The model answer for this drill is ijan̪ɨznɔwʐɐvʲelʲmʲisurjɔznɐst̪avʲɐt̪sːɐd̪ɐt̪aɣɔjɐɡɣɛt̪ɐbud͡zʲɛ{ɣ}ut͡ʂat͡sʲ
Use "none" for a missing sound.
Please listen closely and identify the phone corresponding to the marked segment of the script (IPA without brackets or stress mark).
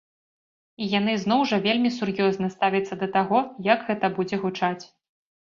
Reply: ɣ